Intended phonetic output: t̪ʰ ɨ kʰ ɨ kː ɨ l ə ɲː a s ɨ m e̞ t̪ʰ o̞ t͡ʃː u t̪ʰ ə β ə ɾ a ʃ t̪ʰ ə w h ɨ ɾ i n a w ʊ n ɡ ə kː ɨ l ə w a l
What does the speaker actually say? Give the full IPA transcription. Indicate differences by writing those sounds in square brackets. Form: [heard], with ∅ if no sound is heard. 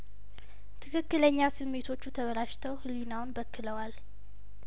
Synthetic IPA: t̪ʰ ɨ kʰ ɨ kː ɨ l ə ɲː a s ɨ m e̞ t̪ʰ o̞ t͡ʃː u t̪ʰ ə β ə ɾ a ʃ t̪ʰ ə w h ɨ [l] i n a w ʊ n [b] ə kː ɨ l ə w a l